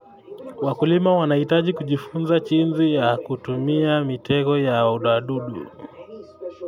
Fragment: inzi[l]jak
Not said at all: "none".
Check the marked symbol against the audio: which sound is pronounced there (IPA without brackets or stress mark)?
none